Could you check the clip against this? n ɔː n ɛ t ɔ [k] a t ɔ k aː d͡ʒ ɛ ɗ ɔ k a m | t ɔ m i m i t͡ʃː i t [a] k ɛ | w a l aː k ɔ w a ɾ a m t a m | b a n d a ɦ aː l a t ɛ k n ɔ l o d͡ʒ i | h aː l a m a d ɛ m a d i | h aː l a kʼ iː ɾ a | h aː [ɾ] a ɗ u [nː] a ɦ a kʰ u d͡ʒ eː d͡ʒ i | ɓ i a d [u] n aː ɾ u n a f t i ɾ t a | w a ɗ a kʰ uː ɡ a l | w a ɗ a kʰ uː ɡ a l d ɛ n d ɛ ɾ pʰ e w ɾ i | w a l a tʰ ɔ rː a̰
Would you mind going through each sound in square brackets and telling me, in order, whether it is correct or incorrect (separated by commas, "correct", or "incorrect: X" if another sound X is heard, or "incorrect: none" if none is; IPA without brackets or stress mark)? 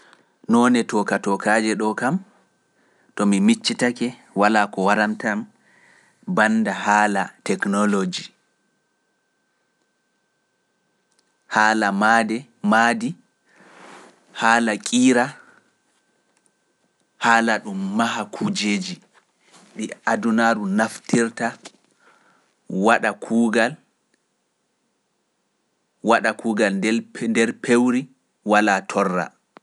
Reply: correct, correct, incorrect: l, incorrect: mː, correct